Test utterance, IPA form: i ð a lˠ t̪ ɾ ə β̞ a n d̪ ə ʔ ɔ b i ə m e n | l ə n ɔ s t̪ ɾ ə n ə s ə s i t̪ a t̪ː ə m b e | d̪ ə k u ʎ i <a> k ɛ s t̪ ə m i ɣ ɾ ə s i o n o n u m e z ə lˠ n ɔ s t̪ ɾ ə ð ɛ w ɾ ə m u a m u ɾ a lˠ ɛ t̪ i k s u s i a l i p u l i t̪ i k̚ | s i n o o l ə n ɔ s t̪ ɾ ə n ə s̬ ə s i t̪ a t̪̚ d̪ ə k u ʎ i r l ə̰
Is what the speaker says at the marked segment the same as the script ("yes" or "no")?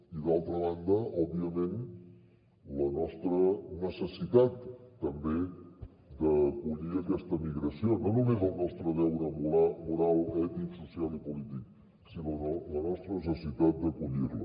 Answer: no